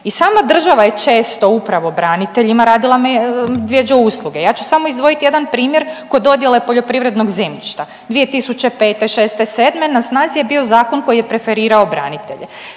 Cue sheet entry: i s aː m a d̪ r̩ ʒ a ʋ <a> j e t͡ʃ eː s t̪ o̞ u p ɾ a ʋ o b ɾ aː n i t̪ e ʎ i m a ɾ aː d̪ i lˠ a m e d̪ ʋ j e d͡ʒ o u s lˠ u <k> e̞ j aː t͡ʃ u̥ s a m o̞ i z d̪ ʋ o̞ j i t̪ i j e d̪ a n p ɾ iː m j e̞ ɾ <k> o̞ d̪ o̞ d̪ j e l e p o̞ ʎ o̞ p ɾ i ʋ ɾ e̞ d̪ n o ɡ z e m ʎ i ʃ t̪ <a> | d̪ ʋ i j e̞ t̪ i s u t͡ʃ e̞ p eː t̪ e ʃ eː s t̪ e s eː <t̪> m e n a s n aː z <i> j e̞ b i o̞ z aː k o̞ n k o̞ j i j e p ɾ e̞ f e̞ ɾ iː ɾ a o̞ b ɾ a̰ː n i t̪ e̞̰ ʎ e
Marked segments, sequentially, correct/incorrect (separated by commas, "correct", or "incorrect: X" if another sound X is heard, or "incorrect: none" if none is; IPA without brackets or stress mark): correct, incorrect: ɡ, correct, correct, incorrect: d̪, correct